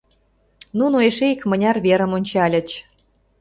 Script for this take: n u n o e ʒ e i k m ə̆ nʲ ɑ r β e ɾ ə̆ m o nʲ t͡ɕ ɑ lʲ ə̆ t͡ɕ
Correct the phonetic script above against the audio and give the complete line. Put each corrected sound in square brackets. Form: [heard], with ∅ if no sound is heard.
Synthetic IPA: n u n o e [ʃ] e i k m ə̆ nʲ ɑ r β e ɾ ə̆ m o nʲ t͡ɕ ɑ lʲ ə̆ t͡ɕ

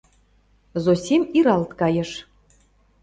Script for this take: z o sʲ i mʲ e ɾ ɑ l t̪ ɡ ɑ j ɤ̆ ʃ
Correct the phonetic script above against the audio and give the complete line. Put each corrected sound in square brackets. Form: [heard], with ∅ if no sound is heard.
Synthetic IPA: z o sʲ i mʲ [i] ɾ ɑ l t̪ [k] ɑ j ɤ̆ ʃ

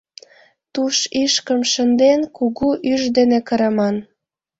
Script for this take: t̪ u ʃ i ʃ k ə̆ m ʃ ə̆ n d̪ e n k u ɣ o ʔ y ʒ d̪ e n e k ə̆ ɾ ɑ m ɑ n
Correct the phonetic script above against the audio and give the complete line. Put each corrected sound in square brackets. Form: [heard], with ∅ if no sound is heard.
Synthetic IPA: t̪ u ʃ i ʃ k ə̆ m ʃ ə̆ n d̪ e n k u ɣ [u] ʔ y ʒ d̪ e n e k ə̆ ɾ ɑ m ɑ n

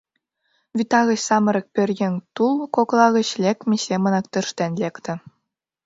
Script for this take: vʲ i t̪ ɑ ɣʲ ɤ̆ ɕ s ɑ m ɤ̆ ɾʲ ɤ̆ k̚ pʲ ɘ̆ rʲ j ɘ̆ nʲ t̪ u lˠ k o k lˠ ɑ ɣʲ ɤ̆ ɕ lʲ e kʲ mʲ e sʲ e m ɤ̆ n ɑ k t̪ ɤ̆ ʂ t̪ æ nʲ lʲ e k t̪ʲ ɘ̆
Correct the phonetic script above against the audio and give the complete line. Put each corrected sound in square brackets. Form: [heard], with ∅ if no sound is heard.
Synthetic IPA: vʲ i t̪ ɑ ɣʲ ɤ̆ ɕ s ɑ m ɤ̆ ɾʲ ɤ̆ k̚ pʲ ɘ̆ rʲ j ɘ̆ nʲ t̪ u lˠ k o k lˠ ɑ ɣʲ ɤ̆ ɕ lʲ e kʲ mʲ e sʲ e m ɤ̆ n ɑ k t̪ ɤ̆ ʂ t̪ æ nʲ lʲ e k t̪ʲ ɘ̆

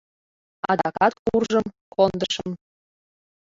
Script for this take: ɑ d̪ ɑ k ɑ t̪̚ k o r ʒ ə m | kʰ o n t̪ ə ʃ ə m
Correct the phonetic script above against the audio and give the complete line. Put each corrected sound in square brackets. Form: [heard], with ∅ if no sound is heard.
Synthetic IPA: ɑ d̪ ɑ k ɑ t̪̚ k [u] r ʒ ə m | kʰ o n [d̪] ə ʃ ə m

